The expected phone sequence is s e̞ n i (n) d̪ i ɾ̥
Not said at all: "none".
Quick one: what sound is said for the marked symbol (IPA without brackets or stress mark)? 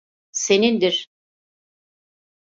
n